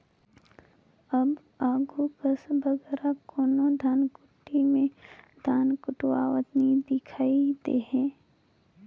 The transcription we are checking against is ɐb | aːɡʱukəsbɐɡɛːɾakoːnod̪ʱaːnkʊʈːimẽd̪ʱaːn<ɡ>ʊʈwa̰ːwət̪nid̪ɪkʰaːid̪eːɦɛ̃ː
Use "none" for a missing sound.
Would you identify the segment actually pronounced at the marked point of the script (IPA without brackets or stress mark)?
k